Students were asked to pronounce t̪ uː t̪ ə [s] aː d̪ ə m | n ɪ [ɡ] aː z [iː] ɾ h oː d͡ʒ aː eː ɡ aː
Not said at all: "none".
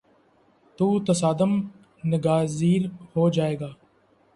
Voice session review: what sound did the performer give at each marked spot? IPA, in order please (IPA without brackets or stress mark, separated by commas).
s, ɡ, iː